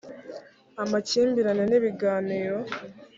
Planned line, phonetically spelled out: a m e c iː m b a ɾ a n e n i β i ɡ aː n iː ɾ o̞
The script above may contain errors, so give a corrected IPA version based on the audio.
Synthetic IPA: a m a c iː m b i ɾ a n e n i β i ɡ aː n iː ɾ o̞